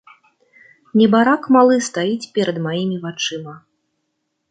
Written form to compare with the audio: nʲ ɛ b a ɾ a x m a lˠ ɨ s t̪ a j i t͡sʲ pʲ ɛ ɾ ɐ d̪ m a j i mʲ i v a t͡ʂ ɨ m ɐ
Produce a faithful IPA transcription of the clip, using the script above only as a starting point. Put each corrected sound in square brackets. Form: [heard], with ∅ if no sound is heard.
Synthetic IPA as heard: nʲ ɛ b a ɾ a [k] m a lˠ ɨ s t̪ a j i t͡sʲ pʲ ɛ ɾ ɐ d̪ m a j i mʲ i v a t͡ʂ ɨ m ɐ

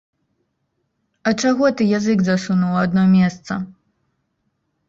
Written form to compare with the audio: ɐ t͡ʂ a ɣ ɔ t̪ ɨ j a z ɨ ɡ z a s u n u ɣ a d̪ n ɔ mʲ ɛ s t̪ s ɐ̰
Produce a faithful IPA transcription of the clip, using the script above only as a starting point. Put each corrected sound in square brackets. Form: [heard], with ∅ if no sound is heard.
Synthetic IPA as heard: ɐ t͡ʂ a ɣ ɔ t̪ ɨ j a z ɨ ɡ z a s u n u [w] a d̪ n ɔ mʲ ɛ s t̪ s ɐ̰

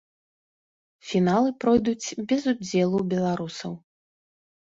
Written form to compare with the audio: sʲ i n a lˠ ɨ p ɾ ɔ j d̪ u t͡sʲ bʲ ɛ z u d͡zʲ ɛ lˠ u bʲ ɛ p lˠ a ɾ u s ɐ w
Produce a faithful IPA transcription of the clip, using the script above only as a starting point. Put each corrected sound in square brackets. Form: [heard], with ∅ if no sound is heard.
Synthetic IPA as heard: [fʲ] i n a lˠ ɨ p ɾ ɔ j d̪ u t͡sʲ bʲ ɛ z u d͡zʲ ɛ lˠ u bʲ ɛ [∅] lˠ a ɾ u s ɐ w

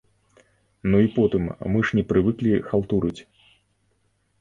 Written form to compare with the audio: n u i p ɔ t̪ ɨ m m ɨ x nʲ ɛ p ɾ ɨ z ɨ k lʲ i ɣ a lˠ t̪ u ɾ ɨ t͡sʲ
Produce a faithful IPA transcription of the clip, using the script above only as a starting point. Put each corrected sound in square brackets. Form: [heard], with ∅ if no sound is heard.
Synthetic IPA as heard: n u i p ɔ t̪ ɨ m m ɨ [ʂ] nʲ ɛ p ɾ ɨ [v] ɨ k lʲ i [x] a lˠ t̪ u ɾ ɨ t͡sʲ

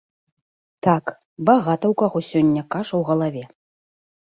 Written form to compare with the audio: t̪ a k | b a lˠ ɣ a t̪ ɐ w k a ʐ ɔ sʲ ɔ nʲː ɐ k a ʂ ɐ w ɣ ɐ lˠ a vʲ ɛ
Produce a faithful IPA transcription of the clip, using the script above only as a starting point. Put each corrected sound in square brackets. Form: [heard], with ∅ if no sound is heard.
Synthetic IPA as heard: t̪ a k | b a [∅] ɣ a t̪ ɐ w k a [ɣ] ɔ sʲ ɔ nʲː ɐ k a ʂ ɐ w ɣ ɐ lˠ a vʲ ɛ

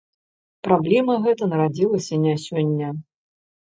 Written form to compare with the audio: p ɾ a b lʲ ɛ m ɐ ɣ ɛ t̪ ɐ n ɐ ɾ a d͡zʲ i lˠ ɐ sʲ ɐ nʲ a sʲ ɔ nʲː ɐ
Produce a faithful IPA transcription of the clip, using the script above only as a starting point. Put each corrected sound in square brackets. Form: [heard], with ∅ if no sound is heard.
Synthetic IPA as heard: p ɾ a b lʲ ɛ m ɐ ɣ ɛ t̪ ɐ n ɐ ɾ a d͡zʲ i lˠ ɐ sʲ ɐ nʲ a sʲ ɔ nʲː ɐ

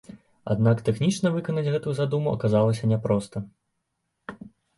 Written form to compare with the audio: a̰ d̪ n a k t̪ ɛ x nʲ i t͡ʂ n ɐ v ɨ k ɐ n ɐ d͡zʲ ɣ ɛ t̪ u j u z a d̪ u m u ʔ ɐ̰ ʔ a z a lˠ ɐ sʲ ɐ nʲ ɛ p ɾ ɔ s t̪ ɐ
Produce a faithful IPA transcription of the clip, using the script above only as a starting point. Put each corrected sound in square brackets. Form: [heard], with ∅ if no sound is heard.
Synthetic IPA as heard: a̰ d̪ n a k t̪ ɛ x nʲ i t͡ʂ n ɐ v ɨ k ɐ n ɐ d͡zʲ ɣ ɛ t̪ u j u z a d̪ u m u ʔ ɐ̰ [k] a z a lˠ ɐ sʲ ɐ nʲ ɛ p ɾ ɔ s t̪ ɐ

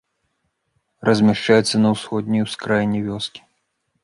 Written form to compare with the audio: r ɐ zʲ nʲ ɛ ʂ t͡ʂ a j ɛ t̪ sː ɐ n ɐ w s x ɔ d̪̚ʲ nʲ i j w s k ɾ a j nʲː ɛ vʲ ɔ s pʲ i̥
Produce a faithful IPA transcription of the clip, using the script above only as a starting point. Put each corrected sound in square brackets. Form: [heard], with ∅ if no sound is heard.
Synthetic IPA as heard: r ɐ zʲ [mʲ] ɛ ʂ t͡ʂ a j ɛ t̪ sː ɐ n ɐ w s x ɔ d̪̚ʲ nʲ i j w s k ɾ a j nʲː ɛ vʲ ɔ s [kʲ] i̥

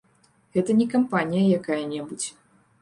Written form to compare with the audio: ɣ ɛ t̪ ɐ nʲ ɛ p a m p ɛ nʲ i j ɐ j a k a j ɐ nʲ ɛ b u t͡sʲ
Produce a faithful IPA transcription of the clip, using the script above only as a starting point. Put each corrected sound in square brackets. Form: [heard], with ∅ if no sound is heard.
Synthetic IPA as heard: ɣ ɛ t̪ ɐ nʲ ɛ [k] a m p [a] nʲ i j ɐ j a k a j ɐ nʲ ɛ b u t͡sʲ

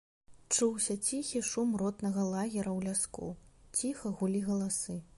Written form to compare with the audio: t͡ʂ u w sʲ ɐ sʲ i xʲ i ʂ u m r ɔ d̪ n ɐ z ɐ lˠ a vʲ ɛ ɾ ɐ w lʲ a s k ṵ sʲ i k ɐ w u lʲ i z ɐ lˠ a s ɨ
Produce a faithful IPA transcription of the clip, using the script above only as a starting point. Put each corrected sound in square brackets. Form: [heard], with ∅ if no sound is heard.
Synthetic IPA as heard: t͡ʂ u w sʲ ɐ [t͡sʲ] i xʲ i ʂ u m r ɔ [t̪] n ɐ [ɣ] ɐ lˠ a [ɣʲ] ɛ ɾ ɐ w lʲ a s k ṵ [t͡sʲ] i [x] ɐ [ɣ] u lʲ i [ɣ] ɐ lˠ a s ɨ

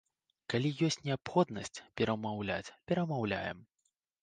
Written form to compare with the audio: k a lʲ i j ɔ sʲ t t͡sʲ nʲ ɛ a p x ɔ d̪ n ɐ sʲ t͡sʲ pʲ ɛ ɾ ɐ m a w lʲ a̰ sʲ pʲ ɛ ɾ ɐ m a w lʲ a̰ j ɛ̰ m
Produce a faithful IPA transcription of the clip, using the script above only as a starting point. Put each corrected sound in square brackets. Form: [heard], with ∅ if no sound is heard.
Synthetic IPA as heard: k a lʲ i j ɔ sʲ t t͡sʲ nʲ ɛ a p x ɔ d̪ n ɐ sʲ t͡sʲ pʲ ɛ ɾ ɐ m a w lʲ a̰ [t͡sʲ] pʲ ɛ ɾ ɐ m a w lʲ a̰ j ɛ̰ m

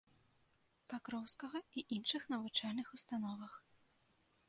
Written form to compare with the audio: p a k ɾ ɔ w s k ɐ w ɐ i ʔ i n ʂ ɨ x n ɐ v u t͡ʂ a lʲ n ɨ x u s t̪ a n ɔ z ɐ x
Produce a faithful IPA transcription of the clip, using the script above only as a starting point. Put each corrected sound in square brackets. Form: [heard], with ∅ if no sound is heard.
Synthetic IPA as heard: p a k ɾ ɔ w s k ɐ [ɣ] ɐ i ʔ i n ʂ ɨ x n ɐ v u t͡ʂ a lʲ n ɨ x u s t̪ a n ɔ [v] ɐ x

